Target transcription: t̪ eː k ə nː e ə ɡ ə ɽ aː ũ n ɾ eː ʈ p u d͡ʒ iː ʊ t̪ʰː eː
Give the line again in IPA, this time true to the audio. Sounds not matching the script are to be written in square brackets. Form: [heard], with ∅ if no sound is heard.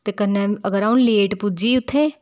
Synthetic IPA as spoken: t̪ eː k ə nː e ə ɡ ə [ɾ] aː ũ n [l] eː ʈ p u d͡ʒ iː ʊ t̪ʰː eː